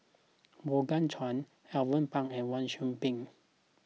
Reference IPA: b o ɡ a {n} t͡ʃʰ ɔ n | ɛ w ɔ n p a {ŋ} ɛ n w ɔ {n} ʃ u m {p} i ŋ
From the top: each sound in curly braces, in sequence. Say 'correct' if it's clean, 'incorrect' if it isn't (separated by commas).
correct, correct, correct, correct